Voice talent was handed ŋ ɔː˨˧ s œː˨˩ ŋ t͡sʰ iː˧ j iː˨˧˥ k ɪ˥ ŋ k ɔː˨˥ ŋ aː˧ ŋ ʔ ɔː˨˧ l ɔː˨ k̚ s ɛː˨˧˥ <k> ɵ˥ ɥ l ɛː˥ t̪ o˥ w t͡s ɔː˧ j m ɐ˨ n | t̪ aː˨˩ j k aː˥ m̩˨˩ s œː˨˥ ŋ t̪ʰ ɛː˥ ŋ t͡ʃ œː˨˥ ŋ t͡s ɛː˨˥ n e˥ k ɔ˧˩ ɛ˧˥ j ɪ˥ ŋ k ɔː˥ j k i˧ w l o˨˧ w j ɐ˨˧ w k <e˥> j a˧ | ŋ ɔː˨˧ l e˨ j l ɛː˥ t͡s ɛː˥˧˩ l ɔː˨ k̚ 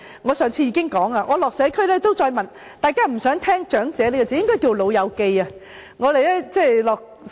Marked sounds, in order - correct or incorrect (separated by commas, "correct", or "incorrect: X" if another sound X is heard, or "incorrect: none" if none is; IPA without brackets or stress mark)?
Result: incorrect: kʰ, incorrect: e˧